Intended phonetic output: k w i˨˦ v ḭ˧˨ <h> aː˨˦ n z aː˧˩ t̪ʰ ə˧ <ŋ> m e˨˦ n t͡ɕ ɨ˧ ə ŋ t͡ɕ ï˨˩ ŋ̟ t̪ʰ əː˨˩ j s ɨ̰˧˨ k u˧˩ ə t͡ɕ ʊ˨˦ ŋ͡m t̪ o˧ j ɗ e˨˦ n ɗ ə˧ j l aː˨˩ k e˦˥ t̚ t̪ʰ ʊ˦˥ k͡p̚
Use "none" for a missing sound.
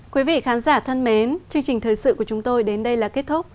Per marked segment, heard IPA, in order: x, n

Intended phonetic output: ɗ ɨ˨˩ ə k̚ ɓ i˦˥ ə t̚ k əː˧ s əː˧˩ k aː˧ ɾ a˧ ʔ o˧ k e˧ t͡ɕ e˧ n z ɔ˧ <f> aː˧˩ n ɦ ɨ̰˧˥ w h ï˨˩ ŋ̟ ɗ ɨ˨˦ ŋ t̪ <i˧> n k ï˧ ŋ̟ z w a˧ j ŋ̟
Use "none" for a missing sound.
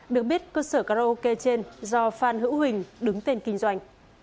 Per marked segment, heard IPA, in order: f, e˧

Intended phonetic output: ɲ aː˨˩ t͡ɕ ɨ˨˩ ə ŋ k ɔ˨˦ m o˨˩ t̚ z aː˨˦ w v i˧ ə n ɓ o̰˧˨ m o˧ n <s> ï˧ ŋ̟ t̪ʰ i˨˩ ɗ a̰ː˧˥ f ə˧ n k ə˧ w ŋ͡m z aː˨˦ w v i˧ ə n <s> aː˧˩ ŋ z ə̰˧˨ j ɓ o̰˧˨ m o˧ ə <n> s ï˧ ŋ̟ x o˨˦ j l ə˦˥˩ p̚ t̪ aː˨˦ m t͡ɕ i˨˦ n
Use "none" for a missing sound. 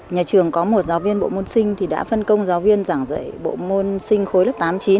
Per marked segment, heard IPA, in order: s, z, n

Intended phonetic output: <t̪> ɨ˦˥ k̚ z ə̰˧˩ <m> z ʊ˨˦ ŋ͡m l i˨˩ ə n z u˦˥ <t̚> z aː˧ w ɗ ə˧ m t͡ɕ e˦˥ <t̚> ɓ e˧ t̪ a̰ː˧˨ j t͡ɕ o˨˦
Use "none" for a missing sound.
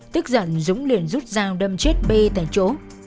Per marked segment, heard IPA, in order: t̪, n, t̚, t̚

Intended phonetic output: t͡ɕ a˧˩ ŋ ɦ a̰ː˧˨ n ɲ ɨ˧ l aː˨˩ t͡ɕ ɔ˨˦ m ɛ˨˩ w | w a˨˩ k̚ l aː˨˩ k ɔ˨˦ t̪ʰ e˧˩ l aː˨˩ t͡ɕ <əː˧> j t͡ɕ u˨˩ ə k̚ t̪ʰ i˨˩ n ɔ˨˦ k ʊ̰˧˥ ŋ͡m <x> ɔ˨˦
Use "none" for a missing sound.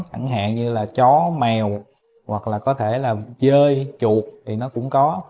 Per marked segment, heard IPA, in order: əː˧, k

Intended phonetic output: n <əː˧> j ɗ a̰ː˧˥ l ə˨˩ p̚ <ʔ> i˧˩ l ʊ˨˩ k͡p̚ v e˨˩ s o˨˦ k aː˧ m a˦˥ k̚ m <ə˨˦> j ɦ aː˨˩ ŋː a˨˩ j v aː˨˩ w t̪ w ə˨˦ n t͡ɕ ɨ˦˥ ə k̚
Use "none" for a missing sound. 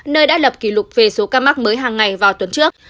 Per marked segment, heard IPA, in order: əː˧, k, əː˨˦

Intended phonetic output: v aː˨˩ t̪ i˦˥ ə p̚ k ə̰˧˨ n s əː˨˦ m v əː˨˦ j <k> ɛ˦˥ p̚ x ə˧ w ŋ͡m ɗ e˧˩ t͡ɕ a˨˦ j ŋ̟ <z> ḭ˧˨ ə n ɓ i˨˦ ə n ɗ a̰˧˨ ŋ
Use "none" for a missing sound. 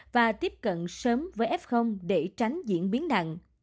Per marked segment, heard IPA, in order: ʔ, z

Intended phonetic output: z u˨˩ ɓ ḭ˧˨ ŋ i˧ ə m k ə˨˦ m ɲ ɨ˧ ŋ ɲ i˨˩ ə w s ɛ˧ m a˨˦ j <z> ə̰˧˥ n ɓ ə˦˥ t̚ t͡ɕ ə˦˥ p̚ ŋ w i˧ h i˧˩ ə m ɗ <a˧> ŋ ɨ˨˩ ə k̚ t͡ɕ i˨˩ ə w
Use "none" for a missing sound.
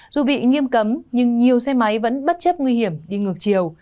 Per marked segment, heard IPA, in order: v, i˧

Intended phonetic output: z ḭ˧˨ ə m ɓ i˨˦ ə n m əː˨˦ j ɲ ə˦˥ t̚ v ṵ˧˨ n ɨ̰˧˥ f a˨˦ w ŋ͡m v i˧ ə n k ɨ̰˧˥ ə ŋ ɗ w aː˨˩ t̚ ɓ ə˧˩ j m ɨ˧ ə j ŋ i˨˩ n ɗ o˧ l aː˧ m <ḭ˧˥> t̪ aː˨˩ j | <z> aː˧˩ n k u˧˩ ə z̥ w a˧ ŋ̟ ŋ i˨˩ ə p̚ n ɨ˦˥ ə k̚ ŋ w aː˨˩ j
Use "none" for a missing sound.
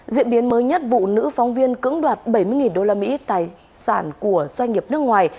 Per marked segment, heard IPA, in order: ḭ˧˥, s

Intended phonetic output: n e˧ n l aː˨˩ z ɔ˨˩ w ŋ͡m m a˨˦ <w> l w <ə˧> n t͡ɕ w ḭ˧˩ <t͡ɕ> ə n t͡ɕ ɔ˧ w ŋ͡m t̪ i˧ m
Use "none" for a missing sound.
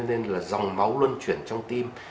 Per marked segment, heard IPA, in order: w, ə˧, none

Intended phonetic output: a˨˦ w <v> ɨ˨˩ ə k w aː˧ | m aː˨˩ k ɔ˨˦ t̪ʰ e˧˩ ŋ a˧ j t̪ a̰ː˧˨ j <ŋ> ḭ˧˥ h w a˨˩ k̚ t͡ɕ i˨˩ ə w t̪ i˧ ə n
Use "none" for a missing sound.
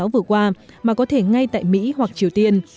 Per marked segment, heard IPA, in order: v, m

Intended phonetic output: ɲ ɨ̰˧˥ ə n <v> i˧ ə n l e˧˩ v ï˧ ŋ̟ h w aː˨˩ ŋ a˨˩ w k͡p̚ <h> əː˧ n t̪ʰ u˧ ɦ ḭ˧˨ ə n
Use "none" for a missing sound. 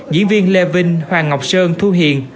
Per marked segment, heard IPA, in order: v, s

